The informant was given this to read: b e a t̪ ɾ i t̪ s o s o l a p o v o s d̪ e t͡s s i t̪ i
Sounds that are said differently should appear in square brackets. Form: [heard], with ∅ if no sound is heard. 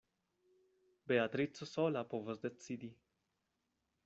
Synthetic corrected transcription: b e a t̪ ɾ i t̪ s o s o l a p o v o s d̪ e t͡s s i [d̪] i